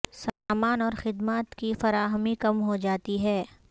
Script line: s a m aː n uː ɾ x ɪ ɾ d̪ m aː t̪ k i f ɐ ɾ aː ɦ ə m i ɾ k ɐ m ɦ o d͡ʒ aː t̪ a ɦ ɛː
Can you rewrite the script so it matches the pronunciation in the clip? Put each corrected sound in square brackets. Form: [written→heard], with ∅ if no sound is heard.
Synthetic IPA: s a m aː n [uː→ɔː] ɾ x ɪ [ɾ→∅] d̪ m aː t̪ k i f ɐ ɾ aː ɦ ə m i [ɾ→∅] k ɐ m ɦ o d͡ʒ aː t̪ [a→i] ɦ ɛː